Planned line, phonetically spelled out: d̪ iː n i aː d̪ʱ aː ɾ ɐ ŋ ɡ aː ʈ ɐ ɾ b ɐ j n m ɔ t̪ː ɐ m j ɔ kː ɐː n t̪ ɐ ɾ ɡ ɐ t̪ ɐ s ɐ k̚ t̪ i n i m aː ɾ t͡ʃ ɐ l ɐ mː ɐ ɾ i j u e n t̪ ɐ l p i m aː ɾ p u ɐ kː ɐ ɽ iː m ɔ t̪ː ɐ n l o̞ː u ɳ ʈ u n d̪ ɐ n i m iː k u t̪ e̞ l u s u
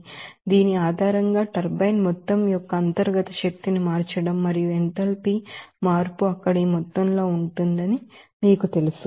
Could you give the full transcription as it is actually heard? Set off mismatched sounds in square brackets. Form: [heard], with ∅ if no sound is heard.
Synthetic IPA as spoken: d̪ iː n i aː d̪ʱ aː ɾ ɐ ŋ ɡ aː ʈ ɐ ɾ b ɐ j n m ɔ t̪ː ɐ m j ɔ kː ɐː n t̪ ɐ ɾ ɡ ɐ t̪ ɐ [ʃ] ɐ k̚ t̪ i n i m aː ɾ t͡ʃ ɐ [ɽ] ɐ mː ɐ ɾ i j u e n t̪ ɐ l p i m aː ɾ p u ɐ kː ɐ ɽ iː m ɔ t̪ː ɐ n l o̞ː u ɳ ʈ u n d̪ ɐ n i m iː k u t̪ e̞ l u s u